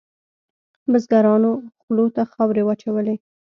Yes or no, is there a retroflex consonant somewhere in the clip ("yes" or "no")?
no